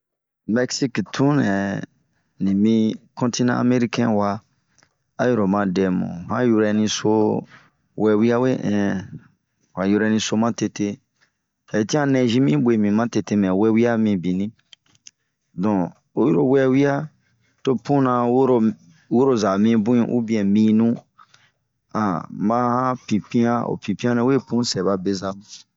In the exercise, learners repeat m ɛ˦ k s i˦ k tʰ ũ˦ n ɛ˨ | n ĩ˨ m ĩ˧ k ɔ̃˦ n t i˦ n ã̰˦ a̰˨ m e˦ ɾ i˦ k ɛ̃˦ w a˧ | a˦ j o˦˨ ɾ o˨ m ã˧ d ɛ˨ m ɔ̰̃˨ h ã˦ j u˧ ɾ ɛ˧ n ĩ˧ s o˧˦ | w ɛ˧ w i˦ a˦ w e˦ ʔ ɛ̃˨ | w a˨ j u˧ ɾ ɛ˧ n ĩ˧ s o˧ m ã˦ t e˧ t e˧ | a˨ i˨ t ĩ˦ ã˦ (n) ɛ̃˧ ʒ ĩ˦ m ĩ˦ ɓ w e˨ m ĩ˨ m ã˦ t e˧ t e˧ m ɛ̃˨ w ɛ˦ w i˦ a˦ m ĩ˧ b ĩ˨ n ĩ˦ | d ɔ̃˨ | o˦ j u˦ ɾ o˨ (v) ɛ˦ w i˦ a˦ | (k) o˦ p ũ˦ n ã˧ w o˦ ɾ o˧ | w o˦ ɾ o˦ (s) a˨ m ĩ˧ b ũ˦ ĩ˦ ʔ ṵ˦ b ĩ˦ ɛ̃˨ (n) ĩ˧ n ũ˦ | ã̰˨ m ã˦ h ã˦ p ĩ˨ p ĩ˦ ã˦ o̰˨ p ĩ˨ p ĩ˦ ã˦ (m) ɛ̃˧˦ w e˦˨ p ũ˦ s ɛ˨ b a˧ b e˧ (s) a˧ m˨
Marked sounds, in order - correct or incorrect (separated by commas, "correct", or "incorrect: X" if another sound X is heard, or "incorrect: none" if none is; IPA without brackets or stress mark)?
correct, incorrect: w, incorrect: t, incorrect: z, incorrect: m, incorrect: n, incorrect: z